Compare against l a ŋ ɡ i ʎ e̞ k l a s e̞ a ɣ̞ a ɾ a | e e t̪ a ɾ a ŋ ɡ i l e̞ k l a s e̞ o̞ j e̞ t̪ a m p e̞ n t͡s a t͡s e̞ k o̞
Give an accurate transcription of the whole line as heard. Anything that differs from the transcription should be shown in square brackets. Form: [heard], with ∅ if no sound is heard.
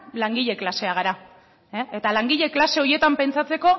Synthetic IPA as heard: l a ŋ ɡ i ʎ e̞ k l a s e̞ a ɣ̞ a ɾ a | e e t̪ a [l] a ŋ ɡ i [ʎ] e̞ k l a s e̞ o̞ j e̞ t̪ a m p e̞ n t͡s a t͡s e̞ k o̞